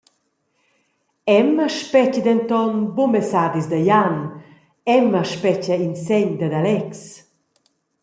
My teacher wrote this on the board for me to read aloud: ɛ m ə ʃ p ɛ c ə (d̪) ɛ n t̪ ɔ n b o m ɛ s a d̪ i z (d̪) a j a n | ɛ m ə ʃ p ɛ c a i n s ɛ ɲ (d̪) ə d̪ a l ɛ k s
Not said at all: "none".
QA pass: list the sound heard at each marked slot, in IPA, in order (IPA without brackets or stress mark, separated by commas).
d̪, d̪, d̪